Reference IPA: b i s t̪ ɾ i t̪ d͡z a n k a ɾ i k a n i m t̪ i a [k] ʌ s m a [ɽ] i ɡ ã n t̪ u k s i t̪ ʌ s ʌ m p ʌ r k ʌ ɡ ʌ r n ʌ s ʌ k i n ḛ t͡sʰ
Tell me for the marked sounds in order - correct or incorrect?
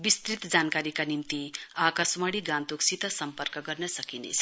correct, correct

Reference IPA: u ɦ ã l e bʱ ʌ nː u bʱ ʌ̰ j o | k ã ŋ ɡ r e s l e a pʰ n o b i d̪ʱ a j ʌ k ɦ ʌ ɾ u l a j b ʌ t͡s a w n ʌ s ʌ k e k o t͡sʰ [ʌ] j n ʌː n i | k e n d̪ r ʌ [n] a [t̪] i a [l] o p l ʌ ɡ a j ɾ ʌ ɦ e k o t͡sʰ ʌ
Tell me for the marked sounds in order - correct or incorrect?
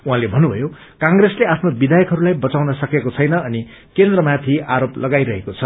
correct, incorrect, incorrect, incorrect

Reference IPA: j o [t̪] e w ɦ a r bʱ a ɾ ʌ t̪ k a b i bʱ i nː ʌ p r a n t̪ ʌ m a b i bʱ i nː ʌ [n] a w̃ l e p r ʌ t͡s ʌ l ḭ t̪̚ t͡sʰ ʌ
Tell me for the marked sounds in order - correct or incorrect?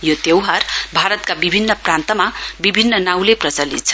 correct, correct

